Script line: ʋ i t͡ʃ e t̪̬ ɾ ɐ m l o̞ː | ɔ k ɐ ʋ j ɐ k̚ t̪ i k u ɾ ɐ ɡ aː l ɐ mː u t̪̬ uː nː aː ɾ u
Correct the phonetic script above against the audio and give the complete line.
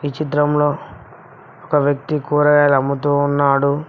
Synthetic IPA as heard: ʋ i t͡ʃ i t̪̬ ɾ ɐ m l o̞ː | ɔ k ɐ ʋ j ɐ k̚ t̪ i k uː ɾ ɐ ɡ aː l ɐ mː u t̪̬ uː nː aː ɽ u